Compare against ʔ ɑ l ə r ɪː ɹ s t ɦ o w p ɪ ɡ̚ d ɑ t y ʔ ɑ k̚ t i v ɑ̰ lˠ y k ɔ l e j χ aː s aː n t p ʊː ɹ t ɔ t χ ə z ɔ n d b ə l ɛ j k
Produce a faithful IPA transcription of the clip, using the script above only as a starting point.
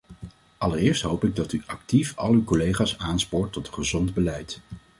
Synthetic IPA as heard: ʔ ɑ l ə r ɪː ɹ s t ɦ o w p ɪ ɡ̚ d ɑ t y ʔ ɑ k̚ t i f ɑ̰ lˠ y k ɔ l e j χ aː s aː n s p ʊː ɹ t ɔ t χ ə z ɔ n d b ə l ɛ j t